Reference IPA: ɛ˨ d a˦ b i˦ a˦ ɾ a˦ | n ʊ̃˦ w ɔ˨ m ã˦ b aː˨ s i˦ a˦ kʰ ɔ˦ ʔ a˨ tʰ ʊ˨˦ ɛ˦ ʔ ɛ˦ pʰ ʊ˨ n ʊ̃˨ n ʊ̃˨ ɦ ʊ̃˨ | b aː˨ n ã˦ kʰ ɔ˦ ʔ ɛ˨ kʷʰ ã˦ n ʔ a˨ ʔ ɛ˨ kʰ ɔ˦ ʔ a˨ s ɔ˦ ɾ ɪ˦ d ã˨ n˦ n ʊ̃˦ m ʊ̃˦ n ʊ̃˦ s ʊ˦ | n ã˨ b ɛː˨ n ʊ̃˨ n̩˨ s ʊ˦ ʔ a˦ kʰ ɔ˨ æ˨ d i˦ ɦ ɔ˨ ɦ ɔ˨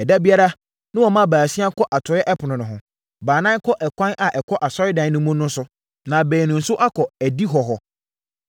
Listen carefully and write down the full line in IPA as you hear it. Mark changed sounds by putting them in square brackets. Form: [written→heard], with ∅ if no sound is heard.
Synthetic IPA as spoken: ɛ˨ d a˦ b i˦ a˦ ɾ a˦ | n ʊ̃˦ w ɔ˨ m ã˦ b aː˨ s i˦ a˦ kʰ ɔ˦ ʔ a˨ tʰ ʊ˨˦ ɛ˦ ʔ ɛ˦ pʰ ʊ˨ n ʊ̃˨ n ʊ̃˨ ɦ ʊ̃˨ | b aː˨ n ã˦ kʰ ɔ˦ ʔ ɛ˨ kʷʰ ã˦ n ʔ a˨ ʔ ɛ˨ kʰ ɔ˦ ʔ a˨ s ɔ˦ ɾ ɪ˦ d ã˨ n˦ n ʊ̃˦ m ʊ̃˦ n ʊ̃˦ s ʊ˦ | n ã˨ b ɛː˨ n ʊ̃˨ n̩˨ s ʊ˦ ʔ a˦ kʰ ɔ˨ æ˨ d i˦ ɦ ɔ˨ ɦ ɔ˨

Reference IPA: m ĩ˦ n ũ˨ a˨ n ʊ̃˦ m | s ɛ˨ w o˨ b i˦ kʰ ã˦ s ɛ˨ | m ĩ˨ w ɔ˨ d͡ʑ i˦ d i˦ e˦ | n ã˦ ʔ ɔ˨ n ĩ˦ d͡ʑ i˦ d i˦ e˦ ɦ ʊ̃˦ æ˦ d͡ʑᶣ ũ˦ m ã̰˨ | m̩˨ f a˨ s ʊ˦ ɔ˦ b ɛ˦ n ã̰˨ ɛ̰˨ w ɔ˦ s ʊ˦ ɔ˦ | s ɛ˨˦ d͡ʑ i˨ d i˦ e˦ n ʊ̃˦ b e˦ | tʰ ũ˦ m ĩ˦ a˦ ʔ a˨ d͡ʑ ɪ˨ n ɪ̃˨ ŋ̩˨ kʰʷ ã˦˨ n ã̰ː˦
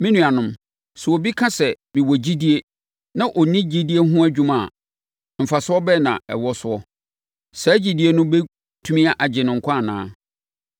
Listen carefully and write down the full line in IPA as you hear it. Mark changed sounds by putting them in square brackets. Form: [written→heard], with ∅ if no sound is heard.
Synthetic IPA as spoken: m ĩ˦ n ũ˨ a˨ n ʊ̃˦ m | s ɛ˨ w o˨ b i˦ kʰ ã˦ s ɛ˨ | m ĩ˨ w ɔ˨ d͡ʑ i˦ d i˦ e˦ | n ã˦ ʔ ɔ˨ n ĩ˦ d͡ʑ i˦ d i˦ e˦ ɦ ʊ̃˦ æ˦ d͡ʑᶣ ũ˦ m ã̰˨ | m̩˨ f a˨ s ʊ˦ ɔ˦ b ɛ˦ n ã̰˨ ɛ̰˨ w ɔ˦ s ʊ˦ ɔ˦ | s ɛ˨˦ d͡ʑ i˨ d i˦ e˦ n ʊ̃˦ b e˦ | tʰ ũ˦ m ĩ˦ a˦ ʔ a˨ d͡ʑ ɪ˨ n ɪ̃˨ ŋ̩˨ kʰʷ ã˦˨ n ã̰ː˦

